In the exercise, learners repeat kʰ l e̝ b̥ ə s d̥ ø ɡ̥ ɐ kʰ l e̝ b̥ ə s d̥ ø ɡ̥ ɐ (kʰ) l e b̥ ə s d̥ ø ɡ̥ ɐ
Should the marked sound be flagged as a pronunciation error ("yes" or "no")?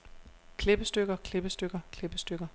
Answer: no